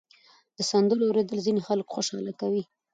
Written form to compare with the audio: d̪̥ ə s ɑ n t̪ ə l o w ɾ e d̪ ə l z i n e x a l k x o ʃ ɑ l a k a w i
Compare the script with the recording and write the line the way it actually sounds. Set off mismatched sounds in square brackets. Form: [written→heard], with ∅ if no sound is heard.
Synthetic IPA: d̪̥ ə s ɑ n [t̪→d̪] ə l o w ɾ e d̪ ə l z i n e x a l k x o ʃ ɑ l a k a w i